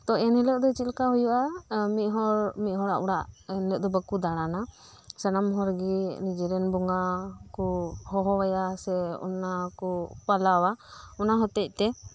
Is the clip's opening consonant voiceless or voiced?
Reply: voiceless